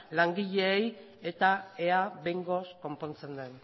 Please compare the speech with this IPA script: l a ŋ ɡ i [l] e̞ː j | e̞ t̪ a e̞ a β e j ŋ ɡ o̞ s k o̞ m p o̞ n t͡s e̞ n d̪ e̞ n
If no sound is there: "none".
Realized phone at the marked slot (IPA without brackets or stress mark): ʎ